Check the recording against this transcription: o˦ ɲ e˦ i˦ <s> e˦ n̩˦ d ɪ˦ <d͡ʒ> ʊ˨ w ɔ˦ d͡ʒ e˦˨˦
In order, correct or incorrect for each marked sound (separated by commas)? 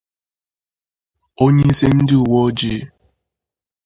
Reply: correct, incorrect